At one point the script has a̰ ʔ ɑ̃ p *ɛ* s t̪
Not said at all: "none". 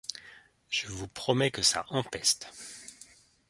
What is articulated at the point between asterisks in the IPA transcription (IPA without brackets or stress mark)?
ɛ